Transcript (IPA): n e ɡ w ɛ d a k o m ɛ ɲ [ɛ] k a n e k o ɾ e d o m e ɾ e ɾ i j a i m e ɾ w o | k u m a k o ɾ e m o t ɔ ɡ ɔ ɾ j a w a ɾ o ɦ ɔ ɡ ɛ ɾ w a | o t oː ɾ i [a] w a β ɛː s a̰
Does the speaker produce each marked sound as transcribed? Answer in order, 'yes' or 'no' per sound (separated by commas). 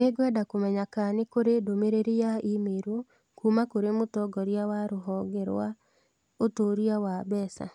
no, yes